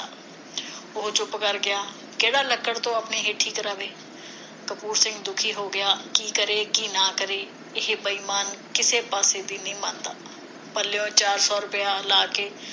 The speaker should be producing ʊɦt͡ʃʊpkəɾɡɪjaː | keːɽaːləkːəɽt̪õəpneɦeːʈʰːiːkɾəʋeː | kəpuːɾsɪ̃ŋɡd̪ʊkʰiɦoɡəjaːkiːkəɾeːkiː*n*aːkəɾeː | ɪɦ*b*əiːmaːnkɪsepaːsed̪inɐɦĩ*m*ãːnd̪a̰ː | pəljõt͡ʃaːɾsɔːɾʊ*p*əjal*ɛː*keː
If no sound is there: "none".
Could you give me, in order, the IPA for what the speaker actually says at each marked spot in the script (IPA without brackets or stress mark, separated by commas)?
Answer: n, b, m, p, aː